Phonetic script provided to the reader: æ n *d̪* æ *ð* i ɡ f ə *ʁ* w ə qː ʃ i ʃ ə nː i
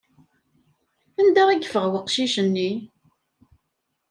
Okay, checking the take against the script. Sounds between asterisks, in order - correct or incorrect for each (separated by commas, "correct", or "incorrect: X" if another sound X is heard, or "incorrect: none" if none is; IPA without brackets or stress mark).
correct, incorrect: ʁ, correct